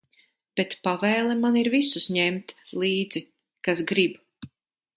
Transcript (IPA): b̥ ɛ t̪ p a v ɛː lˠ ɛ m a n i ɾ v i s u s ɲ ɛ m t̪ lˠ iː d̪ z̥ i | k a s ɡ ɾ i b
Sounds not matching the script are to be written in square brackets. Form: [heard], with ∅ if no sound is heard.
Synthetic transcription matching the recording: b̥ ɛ t̪ p a v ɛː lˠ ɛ m a n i ɾ v i s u s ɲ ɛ m t̪ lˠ iː d̪ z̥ i | k a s ɡ ɾ i b